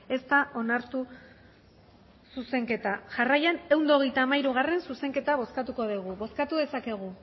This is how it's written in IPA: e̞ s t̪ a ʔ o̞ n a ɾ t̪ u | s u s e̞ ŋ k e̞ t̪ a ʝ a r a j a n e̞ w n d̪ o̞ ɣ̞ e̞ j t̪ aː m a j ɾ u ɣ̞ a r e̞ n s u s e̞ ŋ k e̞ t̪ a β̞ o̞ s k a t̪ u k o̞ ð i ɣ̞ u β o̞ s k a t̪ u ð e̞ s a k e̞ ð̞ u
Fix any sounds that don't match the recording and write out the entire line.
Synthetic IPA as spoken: e̞ s t̪ a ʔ o̞ n a ɾ t̪ u | s u s e̞ ŋ k e̞ t̪ a ʝ a r a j a n e̞ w n d̪ o̞ ɣ̞ e̞ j t̪ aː m a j ɾ u ɣ̞ a r e̞ n s u s e̞ ŋ k e̞ t̪ a β̞ o̞ s k a t̪ u k o̞ ð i ɣ̞ u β o̞ s k a t̪ u ð e̞ s a k e̞ ɣ̞ u